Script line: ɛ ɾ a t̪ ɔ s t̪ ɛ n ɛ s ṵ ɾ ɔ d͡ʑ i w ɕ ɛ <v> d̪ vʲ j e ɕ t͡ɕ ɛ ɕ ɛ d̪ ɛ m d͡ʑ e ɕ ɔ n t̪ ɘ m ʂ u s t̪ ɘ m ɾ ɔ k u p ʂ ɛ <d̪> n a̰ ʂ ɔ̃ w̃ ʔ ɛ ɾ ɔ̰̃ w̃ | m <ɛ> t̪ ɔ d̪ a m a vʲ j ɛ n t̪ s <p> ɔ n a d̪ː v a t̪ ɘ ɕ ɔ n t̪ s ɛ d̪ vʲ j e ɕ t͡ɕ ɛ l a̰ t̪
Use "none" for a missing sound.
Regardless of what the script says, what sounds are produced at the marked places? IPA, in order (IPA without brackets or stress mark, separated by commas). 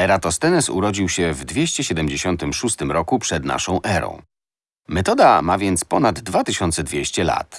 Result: v, d̪, ɛ, p